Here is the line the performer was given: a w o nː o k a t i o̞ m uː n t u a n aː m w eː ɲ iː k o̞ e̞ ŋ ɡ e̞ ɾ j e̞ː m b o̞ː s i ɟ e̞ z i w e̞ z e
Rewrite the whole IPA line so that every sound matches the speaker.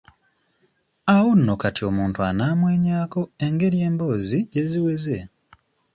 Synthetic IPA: a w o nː o k a t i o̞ m uː n t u a n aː m w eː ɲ aː k o̞ e̞ ŋ ɡ e̞ ɾ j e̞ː m b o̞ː z i ɟ e̞ z i w e̞ z e